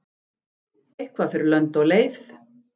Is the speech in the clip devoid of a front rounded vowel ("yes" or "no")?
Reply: no